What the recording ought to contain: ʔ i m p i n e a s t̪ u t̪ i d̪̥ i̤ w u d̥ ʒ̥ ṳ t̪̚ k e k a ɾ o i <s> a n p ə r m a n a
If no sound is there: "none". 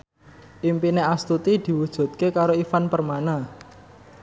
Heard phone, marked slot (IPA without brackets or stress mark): f